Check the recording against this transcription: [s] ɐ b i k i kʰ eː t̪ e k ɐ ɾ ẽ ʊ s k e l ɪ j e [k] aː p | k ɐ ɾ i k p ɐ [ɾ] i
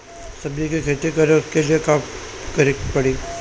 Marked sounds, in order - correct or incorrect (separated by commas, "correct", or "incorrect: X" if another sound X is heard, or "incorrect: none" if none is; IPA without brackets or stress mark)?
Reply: correct, correct, incorrect: ɽ